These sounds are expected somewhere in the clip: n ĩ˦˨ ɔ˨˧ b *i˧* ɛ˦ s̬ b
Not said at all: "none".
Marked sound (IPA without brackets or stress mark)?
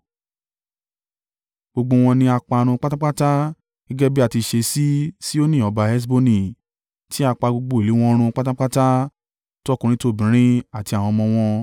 a˧